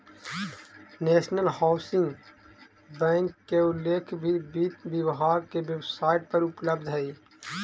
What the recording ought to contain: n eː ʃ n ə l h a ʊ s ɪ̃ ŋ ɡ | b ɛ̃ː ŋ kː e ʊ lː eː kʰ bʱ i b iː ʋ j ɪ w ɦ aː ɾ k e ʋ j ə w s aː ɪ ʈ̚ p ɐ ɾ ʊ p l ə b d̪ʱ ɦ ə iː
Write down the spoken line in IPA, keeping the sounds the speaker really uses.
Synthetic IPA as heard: n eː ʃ n ə l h a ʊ s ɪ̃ ŋ ɡ | b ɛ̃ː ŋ kː e ʊ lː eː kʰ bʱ i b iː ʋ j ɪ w ɦ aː ɾ k e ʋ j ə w s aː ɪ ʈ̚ p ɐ ɾ ʊ p l ə b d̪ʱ ɦ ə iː